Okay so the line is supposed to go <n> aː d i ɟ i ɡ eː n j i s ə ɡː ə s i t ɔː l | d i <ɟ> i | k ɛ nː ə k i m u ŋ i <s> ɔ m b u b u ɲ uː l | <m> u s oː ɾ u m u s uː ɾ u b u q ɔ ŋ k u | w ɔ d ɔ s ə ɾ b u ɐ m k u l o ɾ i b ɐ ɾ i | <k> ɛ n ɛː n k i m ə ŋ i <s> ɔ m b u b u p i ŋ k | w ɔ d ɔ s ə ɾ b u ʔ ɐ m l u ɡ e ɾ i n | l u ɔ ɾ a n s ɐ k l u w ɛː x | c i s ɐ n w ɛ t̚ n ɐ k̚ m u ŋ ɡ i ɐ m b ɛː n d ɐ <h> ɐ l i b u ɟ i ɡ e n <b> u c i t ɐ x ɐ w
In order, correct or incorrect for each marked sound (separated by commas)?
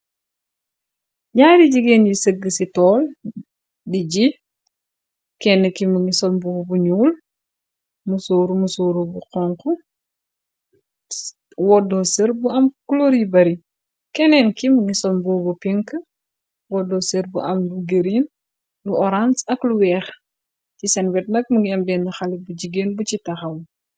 incorrect, correct, correct, correct, correct, correct, incorrect, correct